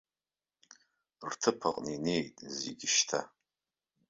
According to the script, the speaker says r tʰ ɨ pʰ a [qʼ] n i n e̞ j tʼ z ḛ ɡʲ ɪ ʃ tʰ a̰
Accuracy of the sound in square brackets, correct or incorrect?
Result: correct